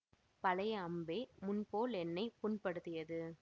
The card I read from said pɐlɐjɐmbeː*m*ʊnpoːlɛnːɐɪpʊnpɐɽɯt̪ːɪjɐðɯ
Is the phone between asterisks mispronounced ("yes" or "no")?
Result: no